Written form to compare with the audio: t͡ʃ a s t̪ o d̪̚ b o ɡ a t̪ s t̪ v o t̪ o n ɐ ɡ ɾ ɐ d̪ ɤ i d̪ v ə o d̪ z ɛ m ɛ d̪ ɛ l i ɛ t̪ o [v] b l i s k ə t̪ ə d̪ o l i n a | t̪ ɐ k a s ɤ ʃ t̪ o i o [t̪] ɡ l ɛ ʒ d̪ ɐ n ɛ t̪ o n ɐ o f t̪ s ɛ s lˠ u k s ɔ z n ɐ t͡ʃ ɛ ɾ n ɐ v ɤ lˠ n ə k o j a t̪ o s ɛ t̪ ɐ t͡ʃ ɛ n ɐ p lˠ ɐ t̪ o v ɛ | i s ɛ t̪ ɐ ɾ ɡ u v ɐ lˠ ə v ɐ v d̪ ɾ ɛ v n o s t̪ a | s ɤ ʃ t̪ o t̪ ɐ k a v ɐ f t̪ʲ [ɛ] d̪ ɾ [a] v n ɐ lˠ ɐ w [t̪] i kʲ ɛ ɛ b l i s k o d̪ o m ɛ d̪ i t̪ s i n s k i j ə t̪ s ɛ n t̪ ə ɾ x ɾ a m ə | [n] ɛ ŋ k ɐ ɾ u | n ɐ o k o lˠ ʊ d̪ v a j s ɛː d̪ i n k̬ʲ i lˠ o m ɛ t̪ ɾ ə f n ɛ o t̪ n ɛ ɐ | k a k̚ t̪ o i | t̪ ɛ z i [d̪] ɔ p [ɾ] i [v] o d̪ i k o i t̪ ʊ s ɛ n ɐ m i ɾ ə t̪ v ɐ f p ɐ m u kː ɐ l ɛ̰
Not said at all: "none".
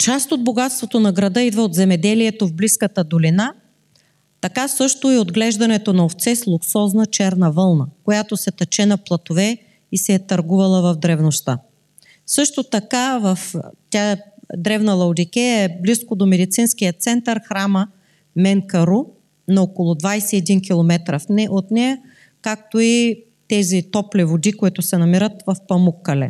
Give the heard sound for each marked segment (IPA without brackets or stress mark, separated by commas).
v, d̪, a, ɛ, d̪, m, t̪, l, v